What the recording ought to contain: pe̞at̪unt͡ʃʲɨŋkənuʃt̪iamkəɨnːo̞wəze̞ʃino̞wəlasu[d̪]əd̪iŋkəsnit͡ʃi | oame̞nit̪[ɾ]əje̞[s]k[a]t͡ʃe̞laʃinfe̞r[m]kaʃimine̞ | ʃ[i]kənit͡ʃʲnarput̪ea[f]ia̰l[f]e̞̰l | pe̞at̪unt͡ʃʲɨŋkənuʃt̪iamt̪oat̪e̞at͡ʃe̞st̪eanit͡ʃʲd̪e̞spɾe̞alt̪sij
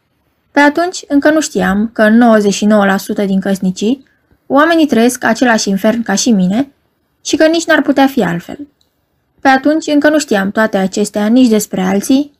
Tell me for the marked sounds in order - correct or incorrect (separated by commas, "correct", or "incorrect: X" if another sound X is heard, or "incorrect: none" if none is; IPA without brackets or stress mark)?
incorrect: t̪, correct, correct, correct, incorrect: n, correct, correct, correct